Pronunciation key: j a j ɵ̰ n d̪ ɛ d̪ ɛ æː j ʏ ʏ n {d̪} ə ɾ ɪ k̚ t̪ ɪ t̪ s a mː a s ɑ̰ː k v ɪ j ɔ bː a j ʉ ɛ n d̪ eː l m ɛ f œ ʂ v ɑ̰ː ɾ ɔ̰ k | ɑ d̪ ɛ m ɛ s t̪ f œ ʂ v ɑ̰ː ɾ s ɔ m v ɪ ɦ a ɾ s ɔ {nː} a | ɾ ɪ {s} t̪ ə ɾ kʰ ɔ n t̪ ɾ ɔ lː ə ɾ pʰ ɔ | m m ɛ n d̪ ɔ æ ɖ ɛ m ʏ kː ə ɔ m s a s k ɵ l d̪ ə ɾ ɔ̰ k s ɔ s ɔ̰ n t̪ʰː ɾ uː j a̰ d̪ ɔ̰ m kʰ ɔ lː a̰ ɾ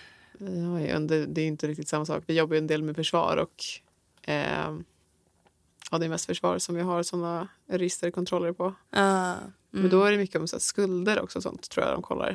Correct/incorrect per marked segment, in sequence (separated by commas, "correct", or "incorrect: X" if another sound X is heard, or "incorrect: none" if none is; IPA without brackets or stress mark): incorrect: t̪, correct, correct